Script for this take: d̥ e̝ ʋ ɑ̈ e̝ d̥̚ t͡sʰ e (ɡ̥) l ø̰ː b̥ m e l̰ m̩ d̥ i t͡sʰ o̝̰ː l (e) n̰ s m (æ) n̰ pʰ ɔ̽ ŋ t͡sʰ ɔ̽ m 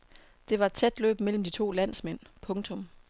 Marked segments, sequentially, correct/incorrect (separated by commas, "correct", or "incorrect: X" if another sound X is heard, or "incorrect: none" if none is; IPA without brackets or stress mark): incorrect: d̥, incorrect: æ, incorrect: e